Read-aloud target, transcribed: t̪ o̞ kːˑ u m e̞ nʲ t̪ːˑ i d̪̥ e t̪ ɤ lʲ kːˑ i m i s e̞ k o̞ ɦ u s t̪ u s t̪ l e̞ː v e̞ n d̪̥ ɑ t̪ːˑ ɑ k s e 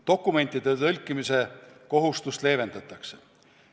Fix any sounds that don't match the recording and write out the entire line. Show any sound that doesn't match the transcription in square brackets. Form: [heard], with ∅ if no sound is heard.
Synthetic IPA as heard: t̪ o̞ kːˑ u m e̞ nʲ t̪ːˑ i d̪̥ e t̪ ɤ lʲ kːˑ i m i s e̞ k o̞ ɦ u s t̪ u s t̪ l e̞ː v e̞ n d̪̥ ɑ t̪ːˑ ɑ k s e

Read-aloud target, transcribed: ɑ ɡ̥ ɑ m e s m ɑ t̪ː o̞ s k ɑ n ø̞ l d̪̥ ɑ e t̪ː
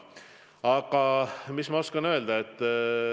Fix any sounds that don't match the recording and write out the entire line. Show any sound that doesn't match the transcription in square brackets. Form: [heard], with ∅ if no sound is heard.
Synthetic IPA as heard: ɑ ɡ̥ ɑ m [i] s m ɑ [∅] o̞ s k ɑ n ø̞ l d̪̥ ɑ e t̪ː

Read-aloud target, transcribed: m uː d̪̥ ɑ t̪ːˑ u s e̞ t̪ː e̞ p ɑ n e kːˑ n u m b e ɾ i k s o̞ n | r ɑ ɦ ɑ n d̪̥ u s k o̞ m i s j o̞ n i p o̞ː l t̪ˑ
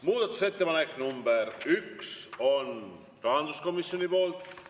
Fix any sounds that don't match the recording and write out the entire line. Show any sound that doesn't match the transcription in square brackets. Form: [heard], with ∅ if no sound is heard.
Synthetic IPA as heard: m uː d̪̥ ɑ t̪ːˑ u s e̞ t̪ː e̞ p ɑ n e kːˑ n u m b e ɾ [y] k s o̞ n | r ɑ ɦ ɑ n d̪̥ u s k o̞ m i s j o̞ n i p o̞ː l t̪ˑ

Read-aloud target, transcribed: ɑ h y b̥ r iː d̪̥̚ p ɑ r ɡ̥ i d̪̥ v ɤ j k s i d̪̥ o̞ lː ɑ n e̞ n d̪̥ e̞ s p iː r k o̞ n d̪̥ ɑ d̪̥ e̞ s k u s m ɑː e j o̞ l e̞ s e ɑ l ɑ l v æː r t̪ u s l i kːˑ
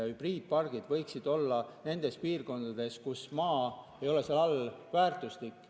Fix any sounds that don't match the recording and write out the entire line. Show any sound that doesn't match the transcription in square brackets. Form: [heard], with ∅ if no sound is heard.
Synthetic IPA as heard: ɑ h y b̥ r iː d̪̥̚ p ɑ r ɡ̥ i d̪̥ v ɤ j k s i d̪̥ o̞ lː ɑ n e̞ n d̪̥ e̞ s p iː r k o̞ n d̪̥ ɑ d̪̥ e̞ s k u s m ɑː e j o̞ l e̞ s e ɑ l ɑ l v æː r t̪ u s l i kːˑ

